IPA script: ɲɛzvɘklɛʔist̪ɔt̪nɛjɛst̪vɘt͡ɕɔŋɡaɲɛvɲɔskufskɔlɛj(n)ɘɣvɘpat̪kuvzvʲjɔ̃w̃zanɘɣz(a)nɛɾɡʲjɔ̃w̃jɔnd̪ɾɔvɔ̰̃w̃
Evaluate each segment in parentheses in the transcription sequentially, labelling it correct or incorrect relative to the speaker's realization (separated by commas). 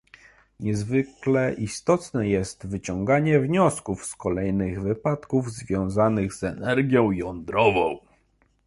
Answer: correct, incorrect